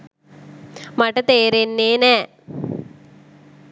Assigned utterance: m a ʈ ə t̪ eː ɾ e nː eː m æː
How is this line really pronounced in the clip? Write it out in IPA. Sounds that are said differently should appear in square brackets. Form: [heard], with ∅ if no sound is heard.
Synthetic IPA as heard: m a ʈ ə t̪ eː ɾ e nː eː [n] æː